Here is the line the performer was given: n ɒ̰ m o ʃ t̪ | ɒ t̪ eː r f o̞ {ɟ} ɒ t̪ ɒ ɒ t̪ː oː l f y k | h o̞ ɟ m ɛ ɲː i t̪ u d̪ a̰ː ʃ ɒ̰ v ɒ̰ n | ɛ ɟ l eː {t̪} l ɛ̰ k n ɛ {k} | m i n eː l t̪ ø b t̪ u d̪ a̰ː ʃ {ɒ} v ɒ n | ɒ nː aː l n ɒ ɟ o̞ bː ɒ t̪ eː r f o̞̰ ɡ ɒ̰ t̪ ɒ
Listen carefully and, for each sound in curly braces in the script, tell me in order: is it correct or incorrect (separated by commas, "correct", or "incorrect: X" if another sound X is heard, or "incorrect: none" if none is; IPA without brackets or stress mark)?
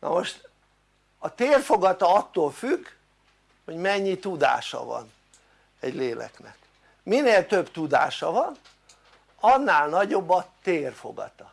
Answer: incorrect: ɡ, incorrect: none, correct, correct